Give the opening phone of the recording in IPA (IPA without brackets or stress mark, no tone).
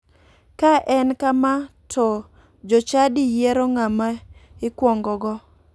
k